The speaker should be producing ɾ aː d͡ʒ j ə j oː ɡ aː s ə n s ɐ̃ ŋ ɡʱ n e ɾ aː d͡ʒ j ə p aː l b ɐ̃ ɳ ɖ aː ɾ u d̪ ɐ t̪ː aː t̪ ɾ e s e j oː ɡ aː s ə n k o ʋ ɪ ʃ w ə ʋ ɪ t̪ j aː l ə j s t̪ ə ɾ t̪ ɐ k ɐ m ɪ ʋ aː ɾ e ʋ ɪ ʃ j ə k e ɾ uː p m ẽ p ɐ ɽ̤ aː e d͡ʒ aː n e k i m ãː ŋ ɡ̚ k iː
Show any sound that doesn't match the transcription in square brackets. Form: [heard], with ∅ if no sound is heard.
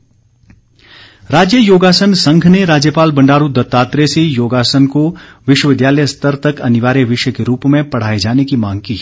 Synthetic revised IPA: ɾ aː d͡ʒ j ə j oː ɡ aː s ə n s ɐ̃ ŋ ɡʱ n e ɾ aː d͡ʒ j ə p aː l b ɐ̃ ɳ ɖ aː ɾ u d̪ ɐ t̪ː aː t̪ ɾ e s e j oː ɡ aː s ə n k o ʋ ɪ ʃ w ə ʋ ɪ [d̪] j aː l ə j s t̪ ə ɾ t̪ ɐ k ɐ [n] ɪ ʋ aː ɾ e ʋ ɪ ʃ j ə k e ɾ uː p m ẽ p ɐ ɽ̤ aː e d͡ʒ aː n e k i m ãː ŋ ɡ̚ k iː